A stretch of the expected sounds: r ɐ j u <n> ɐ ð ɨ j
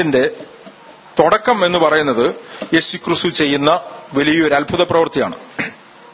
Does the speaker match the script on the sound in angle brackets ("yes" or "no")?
no